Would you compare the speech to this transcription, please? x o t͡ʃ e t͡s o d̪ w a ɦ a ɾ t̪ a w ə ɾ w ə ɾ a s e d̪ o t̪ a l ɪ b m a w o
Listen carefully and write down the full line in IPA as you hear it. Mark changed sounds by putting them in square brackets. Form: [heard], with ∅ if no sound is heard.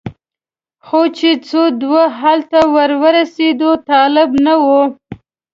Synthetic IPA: x o t͡ʃ e t͡s o d̪ w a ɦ a [l] t̪ a w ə ɾ w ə ɾ a s e d̪ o t̪ [ɑ] l ɪ b [n] a w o